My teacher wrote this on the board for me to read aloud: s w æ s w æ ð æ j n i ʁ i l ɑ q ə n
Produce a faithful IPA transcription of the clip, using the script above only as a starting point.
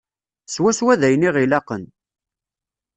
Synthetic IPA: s w æ s w æ ð æ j n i ʁ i l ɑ q ə n